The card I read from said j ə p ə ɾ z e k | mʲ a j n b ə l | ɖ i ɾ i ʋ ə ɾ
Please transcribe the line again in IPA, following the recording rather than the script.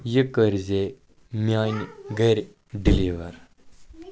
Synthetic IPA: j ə k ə ɾ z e | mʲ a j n ɡ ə ɾ | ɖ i l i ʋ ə ɾ